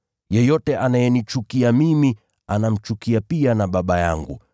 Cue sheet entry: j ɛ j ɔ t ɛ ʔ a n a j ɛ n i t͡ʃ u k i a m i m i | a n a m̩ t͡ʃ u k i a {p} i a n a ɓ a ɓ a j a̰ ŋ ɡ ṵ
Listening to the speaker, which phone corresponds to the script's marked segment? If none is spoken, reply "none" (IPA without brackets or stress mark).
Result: p